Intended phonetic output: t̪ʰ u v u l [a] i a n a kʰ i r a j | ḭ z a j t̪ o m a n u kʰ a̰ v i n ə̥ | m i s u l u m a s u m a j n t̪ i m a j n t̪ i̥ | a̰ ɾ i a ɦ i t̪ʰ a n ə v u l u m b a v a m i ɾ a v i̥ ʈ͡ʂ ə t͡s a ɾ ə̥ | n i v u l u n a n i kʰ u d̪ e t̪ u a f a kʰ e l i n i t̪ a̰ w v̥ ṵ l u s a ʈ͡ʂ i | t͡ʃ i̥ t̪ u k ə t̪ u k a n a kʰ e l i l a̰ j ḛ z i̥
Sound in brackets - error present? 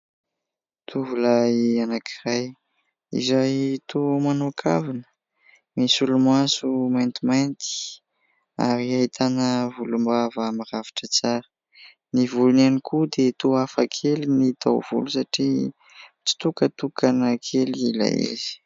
no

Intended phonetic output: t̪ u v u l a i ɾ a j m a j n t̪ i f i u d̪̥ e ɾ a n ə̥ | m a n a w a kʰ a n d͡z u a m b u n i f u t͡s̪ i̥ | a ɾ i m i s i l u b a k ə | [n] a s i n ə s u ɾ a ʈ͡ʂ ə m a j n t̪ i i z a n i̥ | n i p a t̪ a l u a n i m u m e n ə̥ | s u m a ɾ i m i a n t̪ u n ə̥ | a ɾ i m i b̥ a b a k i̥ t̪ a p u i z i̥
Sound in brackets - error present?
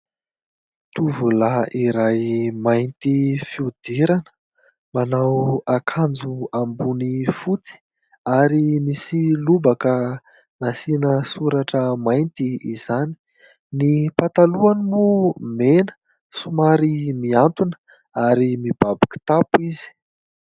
no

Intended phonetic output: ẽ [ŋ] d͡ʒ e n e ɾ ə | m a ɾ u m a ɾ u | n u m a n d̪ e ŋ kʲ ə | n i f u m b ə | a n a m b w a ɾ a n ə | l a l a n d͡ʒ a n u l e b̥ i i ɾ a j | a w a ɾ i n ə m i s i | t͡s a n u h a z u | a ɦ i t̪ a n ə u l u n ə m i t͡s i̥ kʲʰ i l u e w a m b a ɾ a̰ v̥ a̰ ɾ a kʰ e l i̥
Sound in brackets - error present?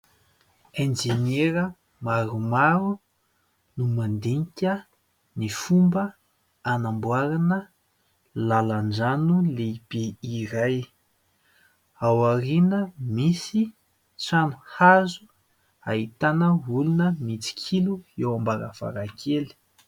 yes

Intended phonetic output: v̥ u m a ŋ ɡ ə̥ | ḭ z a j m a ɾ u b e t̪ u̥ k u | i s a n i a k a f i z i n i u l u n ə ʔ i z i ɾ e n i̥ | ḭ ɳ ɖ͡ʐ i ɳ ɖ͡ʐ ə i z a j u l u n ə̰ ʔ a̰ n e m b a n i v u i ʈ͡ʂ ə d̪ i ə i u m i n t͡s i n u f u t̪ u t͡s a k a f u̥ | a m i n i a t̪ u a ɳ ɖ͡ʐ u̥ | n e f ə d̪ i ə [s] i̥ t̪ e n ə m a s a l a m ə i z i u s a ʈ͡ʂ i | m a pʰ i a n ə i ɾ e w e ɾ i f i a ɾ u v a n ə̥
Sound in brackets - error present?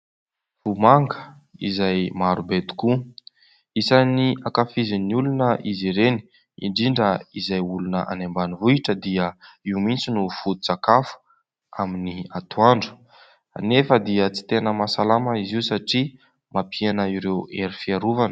yes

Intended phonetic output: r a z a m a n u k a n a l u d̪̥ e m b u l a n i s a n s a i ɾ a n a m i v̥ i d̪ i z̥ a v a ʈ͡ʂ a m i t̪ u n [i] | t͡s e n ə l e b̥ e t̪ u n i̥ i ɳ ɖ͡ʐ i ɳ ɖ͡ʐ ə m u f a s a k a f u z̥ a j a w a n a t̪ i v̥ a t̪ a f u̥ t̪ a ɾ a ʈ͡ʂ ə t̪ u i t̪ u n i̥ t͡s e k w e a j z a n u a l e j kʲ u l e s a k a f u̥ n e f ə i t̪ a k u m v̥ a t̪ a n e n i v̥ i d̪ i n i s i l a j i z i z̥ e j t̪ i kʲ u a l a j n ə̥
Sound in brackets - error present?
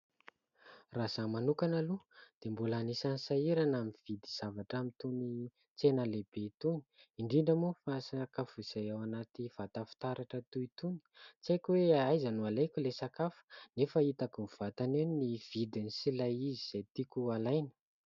no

